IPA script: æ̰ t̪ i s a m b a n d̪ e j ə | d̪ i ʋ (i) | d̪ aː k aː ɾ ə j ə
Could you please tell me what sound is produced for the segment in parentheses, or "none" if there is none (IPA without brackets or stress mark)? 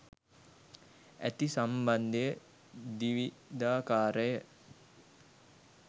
i